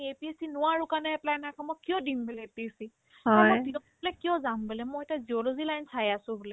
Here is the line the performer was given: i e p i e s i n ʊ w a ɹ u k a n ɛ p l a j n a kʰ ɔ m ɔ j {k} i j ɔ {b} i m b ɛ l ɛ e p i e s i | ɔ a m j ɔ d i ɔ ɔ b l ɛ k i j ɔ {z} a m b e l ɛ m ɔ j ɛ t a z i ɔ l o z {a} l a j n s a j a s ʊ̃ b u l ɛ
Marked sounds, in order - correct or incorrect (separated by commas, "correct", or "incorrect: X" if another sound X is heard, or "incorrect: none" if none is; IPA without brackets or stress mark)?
correct, incorrect: d, correct, incorrect: i